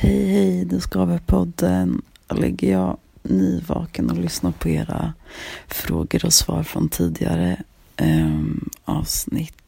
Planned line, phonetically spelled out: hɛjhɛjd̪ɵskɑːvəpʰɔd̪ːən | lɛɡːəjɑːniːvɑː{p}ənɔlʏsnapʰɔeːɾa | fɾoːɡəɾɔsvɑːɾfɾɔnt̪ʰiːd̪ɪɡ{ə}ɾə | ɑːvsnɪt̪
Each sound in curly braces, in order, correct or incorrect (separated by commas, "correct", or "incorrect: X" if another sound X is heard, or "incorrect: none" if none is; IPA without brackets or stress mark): incorrect: k, incorrect: a